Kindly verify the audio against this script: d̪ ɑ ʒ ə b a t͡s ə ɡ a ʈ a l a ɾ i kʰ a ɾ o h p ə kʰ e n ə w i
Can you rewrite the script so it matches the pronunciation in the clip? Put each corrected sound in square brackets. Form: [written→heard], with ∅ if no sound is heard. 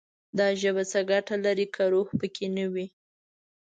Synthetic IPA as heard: d̪ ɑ ʒ ə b a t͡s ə ɡ a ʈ a l a ɾ i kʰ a ɾ o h p ə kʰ e n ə w i